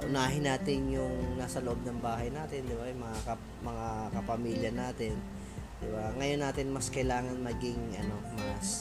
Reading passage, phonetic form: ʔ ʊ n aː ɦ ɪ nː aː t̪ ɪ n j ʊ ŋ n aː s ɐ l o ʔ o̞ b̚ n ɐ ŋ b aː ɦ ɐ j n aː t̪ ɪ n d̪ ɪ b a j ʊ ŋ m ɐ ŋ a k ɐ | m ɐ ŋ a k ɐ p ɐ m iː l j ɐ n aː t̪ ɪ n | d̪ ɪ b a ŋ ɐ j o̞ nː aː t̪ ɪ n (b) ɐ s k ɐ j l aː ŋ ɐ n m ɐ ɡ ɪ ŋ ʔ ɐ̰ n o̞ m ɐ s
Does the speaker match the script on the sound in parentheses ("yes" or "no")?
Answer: no